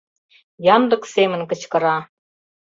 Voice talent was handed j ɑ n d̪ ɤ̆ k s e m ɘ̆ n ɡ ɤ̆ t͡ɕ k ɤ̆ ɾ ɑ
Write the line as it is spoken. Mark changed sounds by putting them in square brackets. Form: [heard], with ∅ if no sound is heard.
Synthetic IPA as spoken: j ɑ n d̪ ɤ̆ k s e m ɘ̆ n [k] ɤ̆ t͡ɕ k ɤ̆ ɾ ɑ